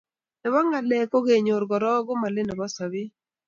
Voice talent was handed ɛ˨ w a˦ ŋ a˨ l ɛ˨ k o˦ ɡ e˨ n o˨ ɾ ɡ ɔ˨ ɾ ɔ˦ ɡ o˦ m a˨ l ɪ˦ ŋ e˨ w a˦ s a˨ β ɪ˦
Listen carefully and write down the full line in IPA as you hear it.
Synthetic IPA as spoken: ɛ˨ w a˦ ŋ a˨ l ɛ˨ k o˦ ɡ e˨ ɲ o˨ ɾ ɡ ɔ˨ ɾ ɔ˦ ɡ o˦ m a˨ l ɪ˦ n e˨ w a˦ s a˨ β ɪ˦